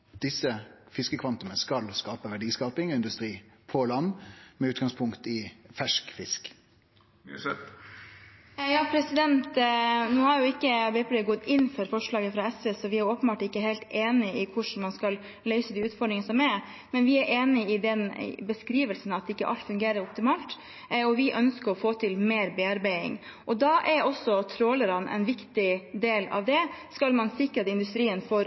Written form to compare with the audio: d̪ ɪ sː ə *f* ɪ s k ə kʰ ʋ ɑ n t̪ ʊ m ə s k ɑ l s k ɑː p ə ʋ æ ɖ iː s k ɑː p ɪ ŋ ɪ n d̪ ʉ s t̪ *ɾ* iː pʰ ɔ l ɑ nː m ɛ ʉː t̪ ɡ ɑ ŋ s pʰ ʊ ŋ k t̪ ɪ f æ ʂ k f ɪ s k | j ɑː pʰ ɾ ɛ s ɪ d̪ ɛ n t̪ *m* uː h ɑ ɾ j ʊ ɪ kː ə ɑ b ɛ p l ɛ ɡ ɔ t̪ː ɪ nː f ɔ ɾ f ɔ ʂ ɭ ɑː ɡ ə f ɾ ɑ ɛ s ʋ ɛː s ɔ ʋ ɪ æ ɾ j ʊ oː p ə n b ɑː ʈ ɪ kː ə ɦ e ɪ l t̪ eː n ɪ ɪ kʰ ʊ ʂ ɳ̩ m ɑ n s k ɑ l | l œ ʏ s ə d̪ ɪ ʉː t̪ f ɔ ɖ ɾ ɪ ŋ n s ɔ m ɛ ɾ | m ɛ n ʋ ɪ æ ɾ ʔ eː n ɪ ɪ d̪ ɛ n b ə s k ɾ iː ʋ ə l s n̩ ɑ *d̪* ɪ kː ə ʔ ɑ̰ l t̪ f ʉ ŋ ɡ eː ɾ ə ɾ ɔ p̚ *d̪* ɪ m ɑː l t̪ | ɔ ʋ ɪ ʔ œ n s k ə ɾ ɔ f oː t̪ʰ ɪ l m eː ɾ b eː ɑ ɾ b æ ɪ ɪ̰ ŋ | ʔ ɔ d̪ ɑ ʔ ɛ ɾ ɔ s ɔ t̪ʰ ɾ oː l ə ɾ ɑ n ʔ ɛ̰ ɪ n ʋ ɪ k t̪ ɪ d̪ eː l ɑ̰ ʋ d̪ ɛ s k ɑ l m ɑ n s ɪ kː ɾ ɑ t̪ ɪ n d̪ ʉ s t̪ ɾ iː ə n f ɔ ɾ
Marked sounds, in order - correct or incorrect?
correct, correct, incorrect: n, incorrect: t̪, incorrect: t̪

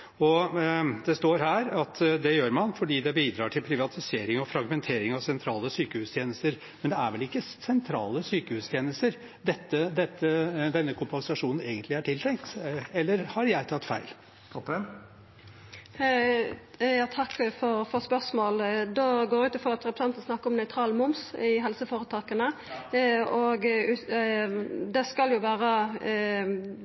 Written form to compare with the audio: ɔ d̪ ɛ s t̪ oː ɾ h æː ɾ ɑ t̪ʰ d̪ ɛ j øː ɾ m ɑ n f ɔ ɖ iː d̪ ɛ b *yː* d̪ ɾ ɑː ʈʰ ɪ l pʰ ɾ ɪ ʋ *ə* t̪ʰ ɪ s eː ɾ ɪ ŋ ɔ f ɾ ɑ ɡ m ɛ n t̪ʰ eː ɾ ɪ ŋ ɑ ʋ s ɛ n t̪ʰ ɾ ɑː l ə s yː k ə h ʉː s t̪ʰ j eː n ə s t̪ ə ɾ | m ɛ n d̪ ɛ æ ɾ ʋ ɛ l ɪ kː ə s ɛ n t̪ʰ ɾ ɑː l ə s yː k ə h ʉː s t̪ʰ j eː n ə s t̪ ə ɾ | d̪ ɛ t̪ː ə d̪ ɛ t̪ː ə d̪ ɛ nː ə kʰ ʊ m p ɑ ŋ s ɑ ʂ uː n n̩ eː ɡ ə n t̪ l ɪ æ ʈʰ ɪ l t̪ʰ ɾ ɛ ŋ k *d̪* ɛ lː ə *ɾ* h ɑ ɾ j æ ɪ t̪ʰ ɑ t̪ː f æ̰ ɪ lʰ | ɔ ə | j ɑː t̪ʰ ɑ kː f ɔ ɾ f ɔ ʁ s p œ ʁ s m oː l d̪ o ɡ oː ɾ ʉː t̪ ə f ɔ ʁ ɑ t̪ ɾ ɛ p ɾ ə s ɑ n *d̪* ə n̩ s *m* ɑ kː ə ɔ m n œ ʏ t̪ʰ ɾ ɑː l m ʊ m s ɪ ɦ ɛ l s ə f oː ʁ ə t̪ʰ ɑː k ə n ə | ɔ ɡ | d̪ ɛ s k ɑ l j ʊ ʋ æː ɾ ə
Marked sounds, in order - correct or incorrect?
incorrect: iː, incorrect: ɑ, incorrect: t̪, correct, incorrect: t̪, incorrect: n

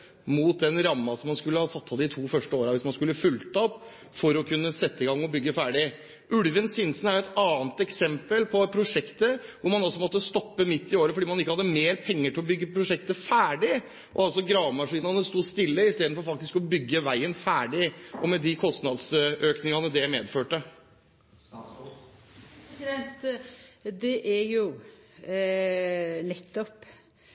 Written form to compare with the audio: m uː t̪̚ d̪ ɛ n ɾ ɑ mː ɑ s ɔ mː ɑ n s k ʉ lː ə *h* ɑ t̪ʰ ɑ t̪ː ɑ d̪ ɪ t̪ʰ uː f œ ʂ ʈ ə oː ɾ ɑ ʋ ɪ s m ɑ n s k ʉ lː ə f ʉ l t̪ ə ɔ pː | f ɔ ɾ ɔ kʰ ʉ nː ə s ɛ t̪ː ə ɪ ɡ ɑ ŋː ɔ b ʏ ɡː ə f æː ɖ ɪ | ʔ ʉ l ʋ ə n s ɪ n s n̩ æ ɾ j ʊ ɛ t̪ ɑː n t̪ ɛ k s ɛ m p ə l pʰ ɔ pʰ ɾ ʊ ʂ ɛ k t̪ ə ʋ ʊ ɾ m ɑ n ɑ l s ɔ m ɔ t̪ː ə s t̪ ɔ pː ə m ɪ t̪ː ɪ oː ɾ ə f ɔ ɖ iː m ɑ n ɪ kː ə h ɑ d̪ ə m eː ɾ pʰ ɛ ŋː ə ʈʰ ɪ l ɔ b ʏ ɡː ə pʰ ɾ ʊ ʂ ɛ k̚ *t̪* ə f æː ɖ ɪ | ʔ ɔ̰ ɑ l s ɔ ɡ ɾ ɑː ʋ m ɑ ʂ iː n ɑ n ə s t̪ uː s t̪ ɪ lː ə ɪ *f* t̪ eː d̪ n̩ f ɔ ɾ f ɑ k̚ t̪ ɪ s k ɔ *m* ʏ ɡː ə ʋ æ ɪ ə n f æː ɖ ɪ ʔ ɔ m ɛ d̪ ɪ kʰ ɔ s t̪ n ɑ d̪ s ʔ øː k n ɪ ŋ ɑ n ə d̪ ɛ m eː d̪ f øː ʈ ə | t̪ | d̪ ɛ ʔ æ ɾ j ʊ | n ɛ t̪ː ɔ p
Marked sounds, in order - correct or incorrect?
correct, correct, incorrect: s, incorrect: b

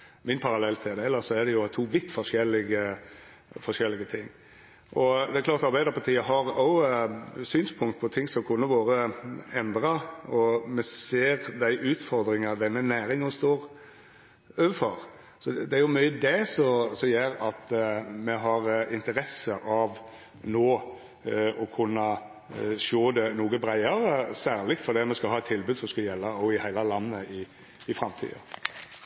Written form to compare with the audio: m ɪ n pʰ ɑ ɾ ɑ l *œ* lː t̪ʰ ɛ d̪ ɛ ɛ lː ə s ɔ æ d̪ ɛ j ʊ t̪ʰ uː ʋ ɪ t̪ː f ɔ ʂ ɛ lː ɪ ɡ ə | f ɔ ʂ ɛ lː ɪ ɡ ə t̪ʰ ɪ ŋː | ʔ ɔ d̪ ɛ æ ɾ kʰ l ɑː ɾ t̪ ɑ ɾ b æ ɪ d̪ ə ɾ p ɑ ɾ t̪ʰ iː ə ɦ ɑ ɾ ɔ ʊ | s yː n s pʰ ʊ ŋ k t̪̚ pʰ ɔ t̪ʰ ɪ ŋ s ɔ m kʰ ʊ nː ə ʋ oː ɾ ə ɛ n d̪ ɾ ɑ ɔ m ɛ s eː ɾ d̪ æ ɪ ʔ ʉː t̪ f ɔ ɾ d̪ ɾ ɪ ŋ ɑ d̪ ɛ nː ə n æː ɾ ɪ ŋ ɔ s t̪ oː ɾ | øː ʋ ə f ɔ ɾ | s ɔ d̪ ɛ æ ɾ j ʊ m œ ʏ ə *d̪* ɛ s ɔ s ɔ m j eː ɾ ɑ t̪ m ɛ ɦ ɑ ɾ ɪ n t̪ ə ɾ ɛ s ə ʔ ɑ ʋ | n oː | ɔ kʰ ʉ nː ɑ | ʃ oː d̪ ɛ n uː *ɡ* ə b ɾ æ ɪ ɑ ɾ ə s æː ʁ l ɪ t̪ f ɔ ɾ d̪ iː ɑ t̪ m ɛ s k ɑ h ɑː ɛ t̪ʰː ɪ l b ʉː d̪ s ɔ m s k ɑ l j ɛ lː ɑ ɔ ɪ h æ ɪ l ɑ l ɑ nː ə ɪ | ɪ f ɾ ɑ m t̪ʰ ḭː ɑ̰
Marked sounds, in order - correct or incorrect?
incorrect: ɛ, correct, correct

